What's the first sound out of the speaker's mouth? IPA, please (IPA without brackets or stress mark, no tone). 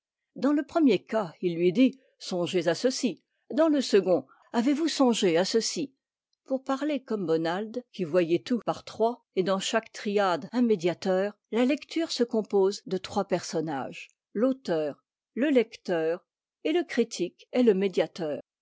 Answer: d̪